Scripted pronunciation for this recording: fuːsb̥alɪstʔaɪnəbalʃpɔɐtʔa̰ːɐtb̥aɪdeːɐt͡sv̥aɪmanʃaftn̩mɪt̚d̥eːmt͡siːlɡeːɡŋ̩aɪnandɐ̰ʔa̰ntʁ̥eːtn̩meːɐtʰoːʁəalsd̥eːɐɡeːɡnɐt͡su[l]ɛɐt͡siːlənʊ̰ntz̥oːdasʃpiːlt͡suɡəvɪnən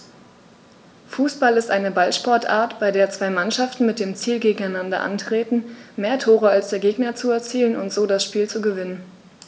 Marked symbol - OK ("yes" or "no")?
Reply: no